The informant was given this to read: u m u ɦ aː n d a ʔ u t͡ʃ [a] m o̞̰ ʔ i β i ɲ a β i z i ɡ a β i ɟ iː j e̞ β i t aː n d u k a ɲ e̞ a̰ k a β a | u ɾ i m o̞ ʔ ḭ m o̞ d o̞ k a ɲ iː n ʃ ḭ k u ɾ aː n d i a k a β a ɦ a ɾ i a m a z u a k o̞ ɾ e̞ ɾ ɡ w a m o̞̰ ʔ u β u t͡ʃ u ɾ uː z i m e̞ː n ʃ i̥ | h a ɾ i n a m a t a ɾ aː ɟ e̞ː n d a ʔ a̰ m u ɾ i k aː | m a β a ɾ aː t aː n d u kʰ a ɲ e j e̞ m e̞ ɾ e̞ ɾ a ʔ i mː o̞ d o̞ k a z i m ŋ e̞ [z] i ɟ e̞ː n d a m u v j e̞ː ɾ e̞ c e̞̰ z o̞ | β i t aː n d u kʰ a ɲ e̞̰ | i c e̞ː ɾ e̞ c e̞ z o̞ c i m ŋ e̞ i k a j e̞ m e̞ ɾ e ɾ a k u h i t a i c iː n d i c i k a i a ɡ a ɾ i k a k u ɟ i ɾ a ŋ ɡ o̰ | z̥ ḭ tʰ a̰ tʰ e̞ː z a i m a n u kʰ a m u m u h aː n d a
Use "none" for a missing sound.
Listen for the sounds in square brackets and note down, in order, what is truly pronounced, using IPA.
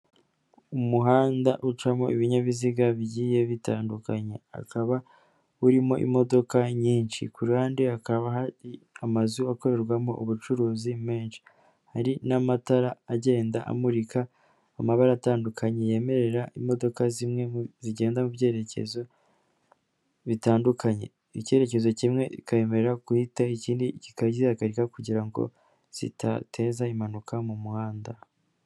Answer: a, z

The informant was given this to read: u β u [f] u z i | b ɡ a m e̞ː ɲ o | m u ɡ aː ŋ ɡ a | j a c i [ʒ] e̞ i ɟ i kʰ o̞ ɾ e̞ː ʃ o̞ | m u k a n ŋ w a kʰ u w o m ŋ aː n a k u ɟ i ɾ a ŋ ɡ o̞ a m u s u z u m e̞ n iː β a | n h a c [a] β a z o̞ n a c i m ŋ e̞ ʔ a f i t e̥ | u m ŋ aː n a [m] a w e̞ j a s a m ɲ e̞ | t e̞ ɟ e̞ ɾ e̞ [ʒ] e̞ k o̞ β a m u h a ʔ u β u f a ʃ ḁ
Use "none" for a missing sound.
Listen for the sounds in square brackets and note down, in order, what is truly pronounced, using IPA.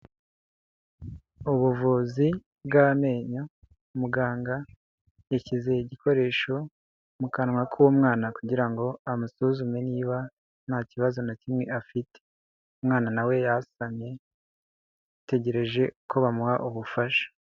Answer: v, z, i, n, ʒ

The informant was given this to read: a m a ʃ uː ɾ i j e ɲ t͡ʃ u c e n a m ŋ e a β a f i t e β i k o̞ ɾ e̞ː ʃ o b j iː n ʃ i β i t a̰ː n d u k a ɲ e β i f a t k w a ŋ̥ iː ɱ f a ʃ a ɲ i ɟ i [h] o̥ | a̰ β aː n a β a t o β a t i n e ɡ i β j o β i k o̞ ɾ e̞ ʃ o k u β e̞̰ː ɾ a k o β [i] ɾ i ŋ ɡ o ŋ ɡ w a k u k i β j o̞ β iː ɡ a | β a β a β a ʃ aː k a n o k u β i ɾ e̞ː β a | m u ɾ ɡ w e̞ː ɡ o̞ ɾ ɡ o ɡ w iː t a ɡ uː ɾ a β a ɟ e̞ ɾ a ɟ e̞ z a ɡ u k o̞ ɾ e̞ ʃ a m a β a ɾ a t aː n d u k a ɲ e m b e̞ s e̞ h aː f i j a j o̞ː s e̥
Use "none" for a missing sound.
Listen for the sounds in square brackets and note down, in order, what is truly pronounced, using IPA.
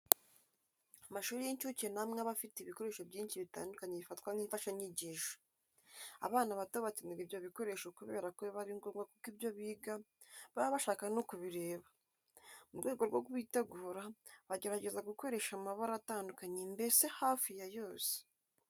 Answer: ʃ, a

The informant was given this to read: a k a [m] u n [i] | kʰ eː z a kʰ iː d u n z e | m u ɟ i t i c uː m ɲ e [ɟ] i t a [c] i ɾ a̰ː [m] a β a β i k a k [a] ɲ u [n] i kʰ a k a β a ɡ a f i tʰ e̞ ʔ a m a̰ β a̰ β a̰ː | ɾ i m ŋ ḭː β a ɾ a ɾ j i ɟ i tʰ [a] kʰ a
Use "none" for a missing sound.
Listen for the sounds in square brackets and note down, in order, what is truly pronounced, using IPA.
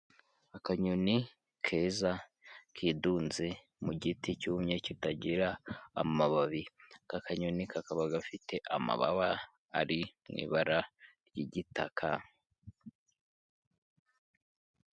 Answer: ɲ, i, c, ɟ, m, a, n, a

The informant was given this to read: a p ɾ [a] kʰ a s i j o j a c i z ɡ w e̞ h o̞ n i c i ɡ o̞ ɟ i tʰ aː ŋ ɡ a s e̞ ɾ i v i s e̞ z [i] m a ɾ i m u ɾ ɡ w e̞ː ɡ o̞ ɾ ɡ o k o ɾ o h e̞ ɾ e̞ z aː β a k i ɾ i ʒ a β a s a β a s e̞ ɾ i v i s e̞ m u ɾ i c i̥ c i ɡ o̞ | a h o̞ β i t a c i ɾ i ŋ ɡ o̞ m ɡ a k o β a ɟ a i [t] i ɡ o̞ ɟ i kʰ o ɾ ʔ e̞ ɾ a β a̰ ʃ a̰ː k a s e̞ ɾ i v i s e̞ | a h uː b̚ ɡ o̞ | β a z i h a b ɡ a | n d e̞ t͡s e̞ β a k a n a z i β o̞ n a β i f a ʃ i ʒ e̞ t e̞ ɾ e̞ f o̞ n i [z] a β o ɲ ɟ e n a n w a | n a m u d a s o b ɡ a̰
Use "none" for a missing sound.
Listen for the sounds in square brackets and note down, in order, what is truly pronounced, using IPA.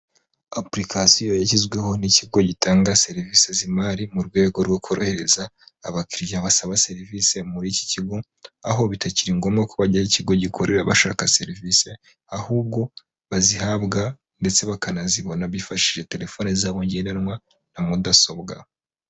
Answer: i, i, c, z

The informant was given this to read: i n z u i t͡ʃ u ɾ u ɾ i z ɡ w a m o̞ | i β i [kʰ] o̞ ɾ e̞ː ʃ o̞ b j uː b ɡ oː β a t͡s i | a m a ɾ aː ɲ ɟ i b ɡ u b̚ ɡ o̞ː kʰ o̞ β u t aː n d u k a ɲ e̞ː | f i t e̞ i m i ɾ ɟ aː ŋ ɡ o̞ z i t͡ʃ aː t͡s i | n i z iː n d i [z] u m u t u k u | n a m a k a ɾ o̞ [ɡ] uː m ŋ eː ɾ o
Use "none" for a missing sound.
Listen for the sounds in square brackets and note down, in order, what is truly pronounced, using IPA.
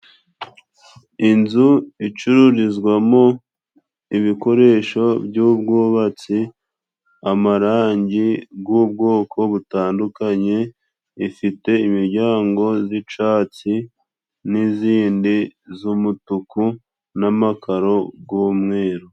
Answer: k, z, ɡ

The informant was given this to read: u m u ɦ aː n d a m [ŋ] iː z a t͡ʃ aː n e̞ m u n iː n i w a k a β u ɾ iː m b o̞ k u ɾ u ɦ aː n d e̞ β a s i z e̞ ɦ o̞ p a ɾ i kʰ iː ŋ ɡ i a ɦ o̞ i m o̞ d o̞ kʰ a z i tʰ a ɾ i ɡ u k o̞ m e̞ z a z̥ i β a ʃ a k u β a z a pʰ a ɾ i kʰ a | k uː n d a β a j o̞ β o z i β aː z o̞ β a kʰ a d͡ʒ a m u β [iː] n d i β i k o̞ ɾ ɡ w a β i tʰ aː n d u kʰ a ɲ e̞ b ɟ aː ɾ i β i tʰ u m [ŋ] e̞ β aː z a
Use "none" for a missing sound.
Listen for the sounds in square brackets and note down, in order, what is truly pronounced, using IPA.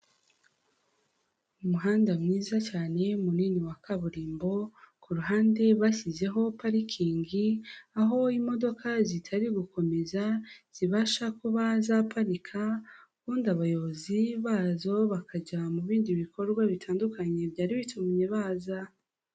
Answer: ŋ, iː, ɲ

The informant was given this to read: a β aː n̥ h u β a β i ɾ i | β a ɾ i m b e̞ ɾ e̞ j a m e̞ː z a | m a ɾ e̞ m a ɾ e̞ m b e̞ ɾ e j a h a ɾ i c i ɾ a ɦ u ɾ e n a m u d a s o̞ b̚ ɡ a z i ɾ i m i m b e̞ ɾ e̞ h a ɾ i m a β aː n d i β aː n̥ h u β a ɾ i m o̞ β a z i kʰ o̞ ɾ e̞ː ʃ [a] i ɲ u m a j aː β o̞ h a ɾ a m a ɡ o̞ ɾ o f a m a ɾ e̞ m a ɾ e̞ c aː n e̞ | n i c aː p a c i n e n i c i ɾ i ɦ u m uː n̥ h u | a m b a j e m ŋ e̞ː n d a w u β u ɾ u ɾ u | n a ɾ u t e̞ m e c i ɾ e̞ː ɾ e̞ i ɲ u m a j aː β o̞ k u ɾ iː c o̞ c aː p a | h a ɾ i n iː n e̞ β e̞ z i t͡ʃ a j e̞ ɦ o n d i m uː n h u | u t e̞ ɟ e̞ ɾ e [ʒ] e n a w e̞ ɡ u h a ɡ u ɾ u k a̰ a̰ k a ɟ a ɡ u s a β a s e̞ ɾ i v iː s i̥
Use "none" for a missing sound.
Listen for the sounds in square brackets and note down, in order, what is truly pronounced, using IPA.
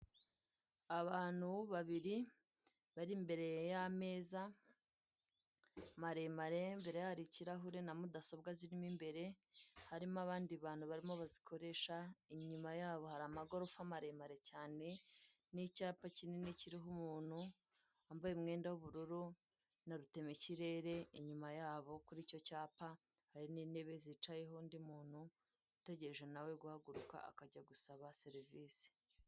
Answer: a, ʒ

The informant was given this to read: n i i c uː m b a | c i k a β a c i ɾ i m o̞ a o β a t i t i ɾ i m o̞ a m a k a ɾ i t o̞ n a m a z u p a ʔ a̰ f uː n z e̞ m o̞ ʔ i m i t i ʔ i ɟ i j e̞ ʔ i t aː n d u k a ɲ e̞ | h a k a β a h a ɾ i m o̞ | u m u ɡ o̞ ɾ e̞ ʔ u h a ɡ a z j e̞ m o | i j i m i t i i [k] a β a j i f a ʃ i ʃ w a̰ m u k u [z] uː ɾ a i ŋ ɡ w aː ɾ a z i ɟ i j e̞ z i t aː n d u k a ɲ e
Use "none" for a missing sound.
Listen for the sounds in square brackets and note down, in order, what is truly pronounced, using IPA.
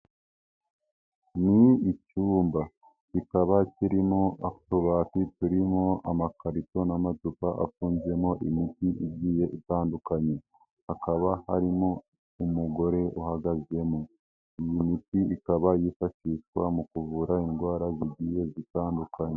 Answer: k, v

